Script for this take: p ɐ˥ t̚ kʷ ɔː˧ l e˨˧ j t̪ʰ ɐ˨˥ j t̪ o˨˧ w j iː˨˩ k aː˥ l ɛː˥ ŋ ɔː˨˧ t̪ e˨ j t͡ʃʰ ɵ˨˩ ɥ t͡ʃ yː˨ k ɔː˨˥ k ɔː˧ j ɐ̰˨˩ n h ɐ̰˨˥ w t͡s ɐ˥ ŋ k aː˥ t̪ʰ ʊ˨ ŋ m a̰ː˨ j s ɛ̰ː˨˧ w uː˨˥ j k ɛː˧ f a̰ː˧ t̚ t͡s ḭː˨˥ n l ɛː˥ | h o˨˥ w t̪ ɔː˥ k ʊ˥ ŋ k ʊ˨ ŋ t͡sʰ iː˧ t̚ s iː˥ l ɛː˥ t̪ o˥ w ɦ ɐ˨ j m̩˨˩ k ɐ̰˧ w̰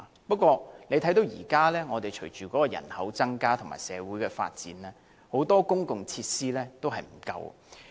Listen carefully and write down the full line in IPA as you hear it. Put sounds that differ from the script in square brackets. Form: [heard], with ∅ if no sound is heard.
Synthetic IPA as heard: p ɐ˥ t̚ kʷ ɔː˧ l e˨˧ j t̪ʰ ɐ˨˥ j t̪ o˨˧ w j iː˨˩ k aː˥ l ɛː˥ ŋ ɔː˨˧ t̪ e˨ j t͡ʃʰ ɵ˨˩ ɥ t͡ʃ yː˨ k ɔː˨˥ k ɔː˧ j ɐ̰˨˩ n h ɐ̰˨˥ w t͡s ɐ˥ ŋ k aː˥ t̪ʰ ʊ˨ ŋ m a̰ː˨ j s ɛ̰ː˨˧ w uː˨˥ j k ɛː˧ f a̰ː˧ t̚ t͡s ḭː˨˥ n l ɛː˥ | h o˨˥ w t̪ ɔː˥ k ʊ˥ ŋ k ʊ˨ ŋ t͡sʰ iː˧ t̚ s iː˥ l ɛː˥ t̪ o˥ w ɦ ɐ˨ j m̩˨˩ k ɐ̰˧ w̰